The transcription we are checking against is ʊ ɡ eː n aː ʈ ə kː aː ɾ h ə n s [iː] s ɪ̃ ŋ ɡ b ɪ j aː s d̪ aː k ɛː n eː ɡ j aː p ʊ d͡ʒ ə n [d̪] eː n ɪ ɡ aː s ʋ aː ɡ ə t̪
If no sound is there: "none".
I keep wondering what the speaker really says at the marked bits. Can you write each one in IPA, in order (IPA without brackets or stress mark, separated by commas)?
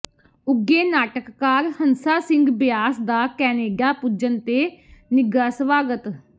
aː, t̪